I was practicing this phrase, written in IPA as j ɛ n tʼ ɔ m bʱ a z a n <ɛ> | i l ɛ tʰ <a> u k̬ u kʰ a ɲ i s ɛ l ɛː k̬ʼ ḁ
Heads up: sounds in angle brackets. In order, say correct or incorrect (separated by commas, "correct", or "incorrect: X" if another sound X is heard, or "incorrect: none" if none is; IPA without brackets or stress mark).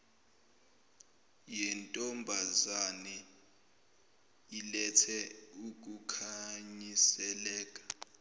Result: correct, incorrect: ɛ